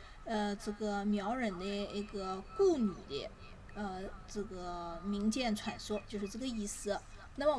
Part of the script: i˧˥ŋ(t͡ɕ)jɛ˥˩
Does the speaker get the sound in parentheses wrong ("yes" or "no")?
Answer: no